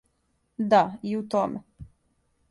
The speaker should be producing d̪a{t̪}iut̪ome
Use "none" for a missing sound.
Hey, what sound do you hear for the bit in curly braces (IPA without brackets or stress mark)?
none